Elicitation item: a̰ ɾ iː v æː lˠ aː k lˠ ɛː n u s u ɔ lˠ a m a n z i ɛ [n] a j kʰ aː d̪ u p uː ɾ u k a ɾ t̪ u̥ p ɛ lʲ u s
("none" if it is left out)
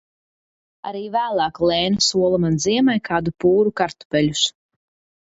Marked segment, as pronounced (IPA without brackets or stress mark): m